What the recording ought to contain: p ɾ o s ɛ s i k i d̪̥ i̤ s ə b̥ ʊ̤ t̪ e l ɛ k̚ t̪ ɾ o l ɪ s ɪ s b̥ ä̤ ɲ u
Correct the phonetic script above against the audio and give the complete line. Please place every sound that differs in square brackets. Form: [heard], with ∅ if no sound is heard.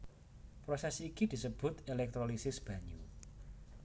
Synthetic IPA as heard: p ɾ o s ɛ s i k i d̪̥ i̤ s ə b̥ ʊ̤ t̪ e l ɛ k̚ t̪ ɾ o l [i] s ɪ s b̥ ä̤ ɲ u